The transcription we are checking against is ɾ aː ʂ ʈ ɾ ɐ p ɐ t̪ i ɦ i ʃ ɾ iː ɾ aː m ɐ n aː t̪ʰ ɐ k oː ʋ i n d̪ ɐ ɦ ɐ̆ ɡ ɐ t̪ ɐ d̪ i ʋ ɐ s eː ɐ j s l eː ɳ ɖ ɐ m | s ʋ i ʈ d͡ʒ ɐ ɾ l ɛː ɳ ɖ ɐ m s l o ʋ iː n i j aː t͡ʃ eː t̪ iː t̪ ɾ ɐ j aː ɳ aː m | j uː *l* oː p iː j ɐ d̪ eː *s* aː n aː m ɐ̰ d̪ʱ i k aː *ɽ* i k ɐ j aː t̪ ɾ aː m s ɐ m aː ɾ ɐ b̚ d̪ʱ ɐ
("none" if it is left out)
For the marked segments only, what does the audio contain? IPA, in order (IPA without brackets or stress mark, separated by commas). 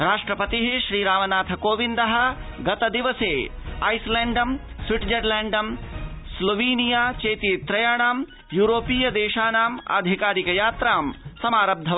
ɾ, ʃ, ɾ